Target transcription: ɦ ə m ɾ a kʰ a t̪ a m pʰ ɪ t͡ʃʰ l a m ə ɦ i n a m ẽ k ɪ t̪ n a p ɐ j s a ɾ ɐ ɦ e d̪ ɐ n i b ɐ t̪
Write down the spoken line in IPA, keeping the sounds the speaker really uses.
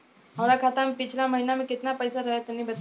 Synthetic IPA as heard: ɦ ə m ɾ a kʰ a t̪ a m p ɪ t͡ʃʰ l a m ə ɦ i n a m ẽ k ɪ t̪ n a p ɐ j s a ɾ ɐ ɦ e t̪ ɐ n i b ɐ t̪